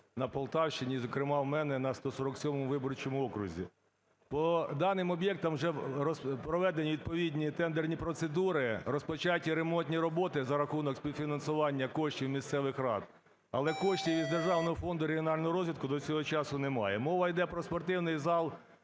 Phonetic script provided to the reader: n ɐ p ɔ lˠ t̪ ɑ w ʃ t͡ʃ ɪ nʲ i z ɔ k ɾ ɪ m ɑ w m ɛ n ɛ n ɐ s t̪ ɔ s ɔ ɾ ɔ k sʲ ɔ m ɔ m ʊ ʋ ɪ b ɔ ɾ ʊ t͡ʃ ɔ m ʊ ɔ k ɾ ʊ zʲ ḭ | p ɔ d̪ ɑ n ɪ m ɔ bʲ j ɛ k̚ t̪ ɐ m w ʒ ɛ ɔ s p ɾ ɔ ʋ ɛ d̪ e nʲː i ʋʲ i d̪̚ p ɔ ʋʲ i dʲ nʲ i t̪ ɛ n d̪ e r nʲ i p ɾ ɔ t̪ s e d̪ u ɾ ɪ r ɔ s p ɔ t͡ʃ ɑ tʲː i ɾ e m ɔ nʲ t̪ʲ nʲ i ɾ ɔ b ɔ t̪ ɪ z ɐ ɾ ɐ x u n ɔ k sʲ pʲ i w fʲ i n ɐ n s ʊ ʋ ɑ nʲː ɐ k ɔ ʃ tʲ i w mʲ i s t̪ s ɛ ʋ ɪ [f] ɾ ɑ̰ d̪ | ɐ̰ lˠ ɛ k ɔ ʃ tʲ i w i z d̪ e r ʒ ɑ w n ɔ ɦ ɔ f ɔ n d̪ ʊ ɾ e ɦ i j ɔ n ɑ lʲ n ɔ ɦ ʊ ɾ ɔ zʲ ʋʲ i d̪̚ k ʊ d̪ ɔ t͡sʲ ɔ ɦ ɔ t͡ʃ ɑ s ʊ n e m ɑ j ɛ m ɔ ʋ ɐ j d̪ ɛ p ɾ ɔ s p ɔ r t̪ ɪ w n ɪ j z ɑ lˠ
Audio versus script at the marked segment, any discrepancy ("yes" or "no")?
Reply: yes